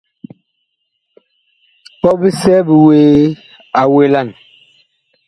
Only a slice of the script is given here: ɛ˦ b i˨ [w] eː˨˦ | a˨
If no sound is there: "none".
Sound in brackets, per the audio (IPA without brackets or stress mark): w